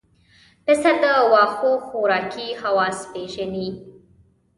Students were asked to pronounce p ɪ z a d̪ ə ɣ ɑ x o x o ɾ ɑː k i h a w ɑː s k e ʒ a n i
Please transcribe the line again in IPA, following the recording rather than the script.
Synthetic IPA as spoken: p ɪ s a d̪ ə w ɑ x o x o ɾ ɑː k i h a w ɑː s p e ʒ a n i